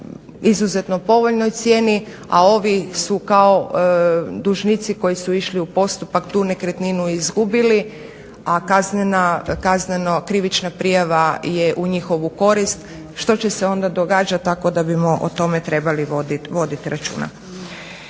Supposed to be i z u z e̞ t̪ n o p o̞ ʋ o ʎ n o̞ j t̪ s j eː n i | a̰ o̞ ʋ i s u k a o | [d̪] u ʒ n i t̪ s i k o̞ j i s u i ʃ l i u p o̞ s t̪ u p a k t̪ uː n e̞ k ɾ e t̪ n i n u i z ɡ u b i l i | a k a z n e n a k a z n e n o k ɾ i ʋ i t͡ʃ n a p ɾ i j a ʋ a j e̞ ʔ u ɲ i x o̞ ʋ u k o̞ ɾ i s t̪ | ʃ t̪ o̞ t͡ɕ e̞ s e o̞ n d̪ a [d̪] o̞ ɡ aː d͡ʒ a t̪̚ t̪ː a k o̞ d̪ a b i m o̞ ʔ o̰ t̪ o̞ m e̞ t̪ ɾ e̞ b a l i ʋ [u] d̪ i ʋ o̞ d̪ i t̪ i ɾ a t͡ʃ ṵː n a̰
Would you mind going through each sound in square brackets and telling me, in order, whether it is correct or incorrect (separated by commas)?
correct, correct, incorrect